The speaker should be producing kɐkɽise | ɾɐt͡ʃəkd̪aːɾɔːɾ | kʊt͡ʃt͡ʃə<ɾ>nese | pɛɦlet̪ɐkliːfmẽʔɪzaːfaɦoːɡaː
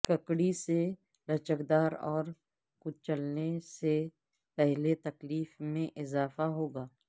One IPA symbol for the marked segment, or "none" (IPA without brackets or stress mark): l